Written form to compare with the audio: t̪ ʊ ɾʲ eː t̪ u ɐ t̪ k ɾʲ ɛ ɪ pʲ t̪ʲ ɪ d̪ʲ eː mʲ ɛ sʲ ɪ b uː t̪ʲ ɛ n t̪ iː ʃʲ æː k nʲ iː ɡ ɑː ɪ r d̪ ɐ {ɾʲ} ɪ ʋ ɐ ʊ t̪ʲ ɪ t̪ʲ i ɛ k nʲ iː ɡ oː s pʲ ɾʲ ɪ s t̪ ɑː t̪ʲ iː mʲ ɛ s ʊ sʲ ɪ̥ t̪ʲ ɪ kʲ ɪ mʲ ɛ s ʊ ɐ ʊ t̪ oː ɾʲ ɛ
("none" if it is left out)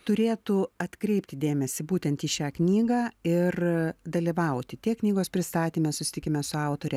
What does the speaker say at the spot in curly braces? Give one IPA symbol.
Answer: lʲ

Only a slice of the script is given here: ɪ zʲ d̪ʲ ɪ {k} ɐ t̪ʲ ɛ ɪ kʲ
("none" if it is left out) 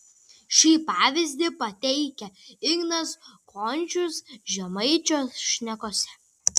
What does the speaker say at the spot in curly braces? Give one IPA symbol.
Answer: p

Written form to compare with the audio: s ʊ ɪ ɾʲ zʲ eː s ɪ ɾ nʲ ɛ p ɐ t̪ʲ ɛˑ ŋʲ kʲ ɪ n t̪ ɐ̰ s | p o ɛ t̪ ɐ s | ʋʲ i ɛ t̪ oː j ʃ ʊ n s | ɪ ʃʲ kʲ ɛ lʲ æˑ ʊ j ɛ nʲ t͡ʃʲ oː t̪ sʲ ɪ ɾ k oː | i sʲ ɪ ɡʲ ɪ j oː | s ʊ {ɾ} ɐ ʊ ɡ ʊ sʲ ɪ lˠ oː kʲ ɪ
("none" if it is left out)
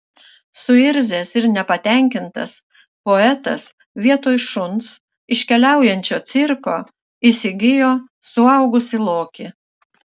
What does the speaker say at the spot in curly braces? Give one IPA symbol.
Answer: none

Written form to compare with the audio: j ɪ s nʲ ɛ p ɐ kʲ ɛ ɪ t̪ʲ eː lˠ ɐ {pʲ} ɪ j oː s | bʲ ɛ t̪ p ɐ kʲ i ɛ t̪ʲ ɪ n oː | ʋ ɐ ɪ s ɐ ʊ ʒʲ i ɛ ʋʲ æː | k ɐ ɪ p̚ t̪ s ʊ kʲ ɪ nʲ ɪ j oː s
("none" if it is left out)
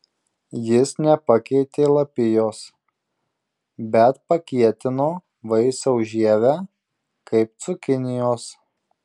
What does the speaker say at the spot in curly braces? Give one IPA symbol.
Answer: pʲ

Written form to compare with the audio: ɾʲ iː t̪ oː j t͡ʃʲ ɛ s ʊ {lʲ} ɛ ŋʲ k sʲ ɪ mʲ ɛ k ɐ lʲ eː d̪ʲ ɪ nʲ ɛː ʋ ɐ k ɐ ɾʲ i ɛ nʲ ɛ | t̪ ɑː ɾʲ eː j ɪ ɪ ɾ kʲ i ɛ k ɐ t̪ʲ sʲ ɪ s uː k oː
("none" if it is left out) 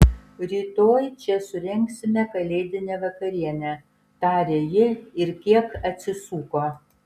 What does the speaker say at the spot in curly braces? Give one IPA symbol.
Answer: ɾʲ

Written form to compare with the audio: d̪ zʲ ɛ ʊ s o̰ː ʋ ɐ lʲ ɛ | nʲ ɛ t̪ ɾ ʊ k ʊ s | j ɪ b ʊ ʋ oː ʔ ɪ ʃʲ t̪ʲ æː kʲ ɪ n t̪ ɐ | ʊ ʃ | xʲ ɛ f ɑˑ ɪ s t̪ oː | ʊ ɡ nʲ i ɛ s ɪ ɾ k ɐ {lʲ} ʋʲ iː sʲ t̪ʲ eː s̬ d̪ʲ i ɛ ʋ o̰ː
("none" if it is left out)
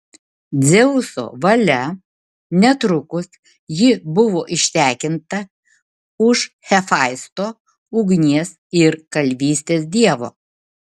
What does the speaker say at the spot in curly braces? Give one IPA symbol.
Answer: lʲ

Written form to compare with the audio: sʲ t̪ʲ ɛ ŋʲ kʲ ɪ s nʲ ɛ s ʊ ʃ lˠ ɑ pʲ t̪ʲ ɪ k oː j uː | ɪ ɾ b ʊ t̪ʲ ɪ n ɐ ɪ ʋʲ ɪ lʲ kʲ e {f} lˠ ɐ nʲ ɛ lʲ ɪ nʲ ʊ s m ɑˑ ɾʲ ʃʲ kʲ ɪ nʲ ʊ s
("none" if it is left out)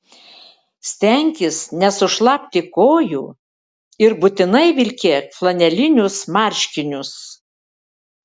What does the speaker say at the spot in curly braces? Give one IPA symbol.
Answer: f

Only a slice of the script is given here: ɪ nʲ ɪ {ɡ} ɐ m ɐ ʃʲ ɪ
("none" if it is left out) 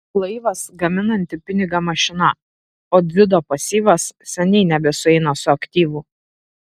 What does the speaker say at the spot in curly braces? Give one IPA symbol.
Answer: ɡ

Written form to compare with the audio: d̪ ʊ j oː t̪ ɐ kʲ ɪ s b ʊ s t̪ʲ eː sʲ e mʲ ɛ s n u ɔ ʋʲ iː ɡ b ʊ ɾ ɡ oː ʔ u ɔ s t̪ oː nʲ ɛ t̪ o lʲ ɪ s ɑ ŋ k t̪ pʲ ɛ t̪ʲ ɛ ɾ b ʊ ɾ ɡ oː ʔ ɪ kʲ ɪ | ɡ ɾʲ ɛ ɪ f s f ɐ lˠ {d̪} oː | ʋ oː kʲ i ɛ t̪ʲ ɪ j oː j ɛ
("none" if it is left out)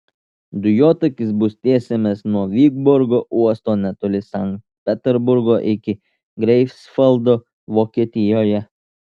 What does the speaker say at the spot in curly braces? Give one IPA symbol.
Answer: d̪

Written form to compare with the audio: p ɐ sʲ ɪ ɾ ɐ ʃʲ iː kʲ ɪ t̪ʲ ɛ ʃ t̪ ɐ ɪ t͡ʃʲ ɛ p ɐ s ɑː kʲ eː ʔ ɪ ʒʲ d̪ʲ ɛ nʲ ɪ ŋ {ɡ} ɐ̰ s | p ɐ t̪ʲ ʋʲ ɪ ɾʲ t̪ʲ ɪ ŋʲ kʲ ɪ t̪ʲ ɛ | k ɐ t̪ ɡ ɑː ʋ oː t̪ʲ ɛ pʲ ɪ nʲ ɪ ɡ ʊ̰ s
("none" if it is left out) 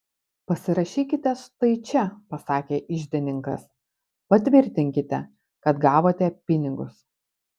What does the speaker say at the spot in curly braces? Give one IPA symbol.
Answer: k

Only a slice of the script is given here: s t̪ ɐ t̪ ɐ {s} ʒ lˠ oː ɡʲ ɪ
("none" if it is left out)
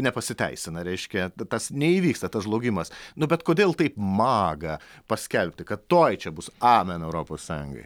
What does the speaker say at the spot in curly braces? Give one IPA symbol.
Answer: s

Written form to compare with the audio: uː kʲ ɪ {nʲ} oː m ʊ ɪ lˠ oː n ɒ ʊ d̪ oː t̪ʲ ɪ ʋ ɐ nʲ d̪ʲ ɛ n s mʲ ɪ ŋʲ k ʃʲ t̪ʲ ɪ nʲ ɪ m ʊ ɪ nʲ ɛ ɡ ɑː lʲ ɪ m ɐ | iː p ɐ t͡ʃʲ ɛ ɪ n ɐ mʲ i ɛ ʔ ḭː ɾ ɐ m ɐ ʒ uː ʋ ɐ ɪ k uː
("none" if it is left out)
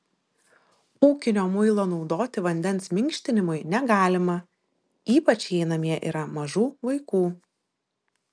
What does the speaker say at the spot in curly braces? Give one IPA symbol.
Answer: nʲ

